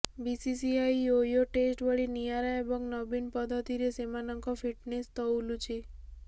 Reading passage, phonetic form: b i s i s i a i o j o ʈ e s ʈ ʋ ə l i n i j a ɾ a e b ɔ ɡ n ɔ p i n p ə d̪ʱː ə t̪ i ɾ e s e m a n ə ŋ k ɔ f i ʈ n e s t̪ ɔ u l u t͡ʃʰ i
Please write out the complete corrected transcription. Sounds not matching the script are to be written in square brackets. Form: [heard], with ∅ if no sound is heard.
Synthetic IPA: b i s i s i a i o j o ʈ e s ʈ ʋ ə [ɭ] i n i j a ɾ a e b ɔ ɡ n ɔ [b] i n p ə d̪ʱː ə t̪ i ɾ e s e m a n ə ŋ k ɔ f i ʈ n e s t̪ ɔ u l u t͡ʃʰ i